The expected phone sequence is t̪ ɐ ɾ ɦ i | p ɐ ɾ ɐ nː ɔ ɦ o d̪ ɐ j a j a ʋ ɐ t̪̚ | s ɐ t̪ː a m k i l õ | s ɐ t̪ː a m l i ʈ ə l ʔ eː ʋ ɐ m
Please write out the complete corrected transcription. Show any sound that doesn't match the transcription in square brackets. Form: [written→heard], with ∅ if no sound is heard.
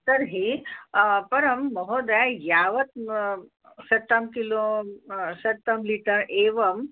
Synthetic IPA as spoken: t̪ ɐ ɾ ɦ i | p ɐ ɾ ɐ [nː→mː] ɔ ɦ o d̪ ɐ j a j a ʋ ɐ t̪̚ | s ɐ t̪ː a m k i l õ | s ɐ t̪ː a m l i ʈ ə [l→ɾ] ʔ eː ʋ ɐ m